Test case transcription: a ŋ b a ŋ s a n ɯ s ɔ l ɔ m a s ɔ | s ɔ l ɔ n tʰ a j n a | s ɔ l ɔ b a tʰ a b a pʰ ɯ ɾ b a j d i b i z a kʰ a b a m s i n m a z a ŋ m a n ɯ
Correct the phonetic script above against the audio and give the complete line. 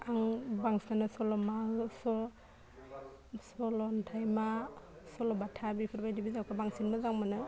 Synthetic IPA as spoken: a ŋ b a ŋ s a n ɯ s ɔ l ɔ m a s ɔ | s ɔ l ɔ n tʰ a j m a | s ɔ l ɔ b a tʰ a b i pʰ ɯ ɾ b a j d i b i z a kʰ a b a ŋ s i n m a z a ŋ m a n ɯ

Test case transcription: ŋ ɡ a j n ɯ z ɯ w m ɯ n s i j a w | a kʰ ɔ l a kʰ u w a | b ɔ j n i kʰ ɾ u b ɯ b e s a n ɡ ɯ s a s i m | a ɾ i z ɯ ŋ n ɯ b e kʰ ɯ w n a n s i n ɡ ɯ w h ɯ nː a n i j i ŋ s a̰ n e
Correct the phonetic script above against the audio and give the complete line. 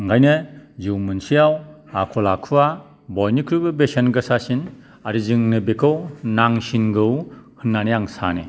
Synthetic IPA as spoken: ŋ ɡ a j n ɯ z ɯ w m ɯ n s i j a w | a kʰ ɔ l a kʰ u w a | b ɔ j n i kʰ ɾ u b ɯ b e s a n ɡ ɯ s a s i n | a ɾ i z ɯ ŋ n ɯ b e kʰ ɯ w n a ŋ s i n ɡ ɯ w h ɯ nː a n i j a ŋ s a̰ n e

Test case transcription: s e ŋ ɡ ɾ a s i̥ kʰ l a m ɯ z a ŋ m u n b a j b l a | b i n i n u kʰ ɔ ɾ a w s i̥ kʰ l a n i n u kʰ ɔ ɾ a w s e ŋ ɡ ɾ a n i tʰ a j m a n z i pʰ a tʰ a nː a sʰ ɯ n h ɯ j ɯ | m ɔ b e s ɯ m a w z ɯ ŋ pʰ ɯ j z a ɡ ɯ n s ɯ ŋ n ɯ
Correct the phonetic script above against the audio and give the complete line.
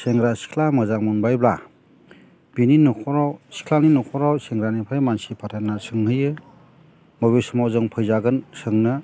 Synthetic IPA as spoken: s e ŋ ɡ ɾ a s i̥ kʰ l a m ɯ z a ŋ m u n b a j b l a | b i n i n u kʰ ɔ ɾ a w s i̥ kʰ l a n i n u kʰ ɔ ɾ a w s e ŋ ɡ ɾ a n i pʰ a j m a n s i pʰ a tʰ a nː a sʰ ɯ ŋ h ɯ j ɯ | m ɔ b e s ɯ m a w z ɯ ŋ pʰ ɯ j z a ɡ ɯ n s ɯ ŋ n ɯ

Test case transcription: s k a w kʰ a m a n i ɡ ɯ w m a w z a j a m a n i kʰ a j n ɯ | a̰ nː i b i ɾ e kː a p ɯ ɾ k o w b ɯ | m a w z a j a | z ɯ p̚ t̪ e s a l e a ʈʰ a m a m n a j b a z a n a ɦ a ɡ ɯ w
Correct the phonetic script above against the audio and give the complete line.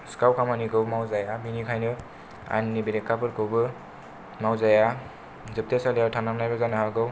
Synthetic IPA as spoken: s k a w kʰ a m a n i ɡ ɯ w m a w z a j a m i n i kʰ a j n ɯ | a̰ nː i b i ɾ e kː a p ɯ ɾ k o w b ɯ | m a w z a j a | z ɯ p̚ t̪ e s a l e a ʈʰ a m a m n a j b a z a n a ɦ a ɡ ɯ w

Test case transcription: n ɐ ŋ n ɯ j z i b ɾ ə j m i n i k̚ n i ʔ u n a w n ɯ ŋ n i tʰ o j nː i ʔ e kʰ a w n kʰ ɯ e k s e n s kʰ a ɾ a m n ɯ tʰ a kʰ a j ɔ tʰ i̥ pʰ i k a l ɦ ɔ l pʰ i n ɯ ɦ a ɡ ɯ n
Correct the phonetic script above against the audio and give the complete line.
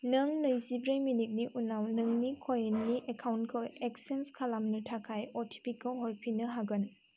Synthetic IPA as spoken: n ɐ ŋ n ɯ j z i b ɾ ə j m i n i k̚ n i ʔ u n a w n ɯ ŋ n i kʰ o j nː i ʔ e kʰ a w n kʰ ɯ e k s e n s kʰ a l a m n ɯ tʰ a kʰ a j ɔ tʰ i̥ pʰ i k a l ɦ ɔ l pʰ i n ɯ ɦ a ɡ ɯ n

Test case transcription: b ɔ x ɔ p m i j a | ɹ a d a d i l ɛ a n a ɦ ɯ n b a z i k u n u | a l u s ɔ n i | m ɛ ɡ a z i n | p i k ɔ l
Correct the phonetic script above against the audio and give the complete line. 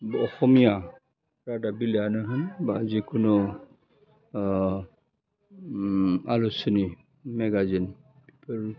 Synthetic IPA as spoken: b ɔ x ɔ m i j a | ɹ a d a b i l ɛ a n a ɦ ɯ n b a z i k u n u | a l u s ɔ n i | m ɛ ɡ a z i n | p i p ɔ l

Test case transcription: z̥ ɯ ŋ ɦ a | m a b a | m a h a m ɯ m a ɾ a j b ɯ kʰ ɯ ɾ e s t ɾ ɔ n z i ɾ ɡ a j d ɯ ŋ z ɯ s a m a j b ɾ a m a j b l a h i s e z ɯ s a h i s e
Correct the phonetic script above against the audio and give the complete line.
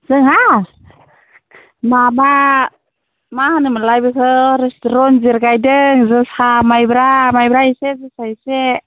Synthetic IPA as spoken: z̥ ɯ ŋ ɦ a | m a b a | m a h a n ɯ m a l a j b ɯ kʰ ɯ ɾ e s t ɾ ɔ n z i ɾ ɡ a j d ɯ ŋ z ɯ s a m a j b ɾ a m a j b ɾ a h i s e z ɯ s a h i s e

